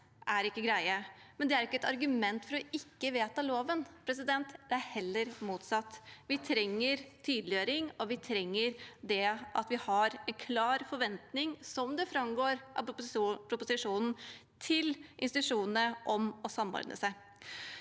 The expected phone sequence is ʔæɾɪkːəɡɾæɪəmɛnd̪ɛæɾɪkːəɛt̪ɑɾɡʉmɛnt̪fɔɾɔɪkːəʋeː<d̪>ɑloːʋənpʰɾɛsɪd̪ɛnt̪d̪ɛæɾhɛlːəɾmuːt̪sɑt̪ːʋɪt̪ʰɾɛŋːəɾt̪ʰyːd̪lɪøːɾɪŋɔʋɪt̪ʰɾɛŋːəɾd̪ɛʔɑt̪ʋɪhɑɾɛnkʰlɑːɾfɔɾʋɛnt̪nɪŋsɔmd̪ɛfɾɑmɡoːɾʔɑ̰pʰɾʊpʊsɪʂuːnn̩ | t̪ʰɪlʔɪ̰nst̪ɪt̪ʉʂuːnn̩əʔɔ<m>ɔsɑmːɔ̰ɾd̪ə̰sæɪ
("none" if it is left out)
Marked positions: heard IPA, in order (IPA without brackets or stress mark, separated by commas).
t̪, m